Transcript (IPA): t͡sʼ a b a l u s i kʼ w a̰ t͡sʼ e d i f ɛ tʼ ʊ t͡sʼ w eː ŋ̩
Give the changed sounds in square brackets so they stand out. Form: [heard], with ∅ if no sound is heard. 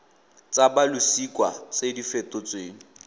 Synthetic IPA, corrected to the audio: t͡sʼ a b a l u s i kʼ w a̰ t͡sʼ e d i f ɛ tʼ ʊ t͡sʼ w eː ŋ̩